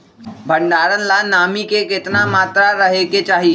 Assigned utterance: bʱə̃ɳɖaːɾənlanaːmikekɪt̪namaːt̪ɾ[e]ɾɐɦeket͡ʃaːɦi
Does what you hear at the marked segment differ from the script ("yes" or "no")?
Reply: yes